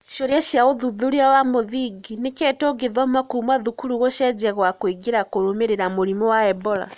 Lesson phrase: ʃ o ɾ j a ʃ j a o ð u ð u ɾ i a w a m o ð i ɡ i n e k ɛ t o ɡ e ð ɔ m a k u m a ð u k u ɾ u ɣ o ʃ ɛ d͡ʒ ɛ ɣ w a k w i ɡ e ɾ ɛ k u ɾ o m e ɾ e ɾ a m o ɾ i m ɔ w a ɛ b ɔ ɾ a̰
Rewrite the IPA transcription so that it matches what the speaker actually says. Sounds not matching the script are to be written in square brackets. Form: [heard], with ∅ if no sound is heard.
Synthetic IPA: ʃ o ɾ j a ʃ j a o ð u ð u ɾ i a w a m o ð i ɡ i n e k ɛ t o ɡ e ð ɔ m a k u m a ð u k u ɾ u ɣ o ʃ ɛ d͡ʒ ɛ ɣ w a k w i ɡ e ɾ [a] k [o] ɾ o m e ɾ e ɾ a m o ɾ i m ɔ w a ɛ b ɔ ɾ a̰